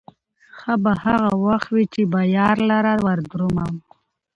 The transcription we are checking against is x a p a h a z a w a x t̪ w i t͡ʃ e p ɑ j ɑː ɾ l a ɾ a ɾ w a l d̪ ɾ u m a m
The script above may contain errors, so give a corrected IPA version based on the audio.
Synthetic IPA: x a b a h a ɣ a w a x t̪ w i t͡ʃ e b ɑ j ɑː ɾ l a ɾ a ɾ w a ɾ d̪ ɾ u m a m